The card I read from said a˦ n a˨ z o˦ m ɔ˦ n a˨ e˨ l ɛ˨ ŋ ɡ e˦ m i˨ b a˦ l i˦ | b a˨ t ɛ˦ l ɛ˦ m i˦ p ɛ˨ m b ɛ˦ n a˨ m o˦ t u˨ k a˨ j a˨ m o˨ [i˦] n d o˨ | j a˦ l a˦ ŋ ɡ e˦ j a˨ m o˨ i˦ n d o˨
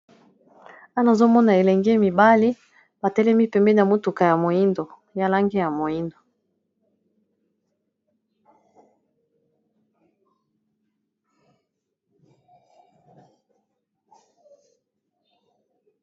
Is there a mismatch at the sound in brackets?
no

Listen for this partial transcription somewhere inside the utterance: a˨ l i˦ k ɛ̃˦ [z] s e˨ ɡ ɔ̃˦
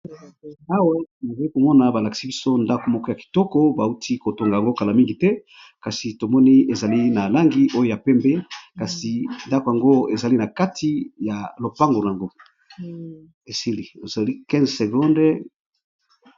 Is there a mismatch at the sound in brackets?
no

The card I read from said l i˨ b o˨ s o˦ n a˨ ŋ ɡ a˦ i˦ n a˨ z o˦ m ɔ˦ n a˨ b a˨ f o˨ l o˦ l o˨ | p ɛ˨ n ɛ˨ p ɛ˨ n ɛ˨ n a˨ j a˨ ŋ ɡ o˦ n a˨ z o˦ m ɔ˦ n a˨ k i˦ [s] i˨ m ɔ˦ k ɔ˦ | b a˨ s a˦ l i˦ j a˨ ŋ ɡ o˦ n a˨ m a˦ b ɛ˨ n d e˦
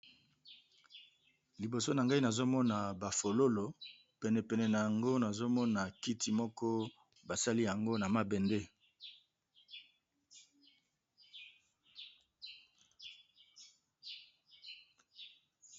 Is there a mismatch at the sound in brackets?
yes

